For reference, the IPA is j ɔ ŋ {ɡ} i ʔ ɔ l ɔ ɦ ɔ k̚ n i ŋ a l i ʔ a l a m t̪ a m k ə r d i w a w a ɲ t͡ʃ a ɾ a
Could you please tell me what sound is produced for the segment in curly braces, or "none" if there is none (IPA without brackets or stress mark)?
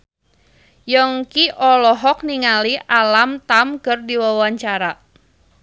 k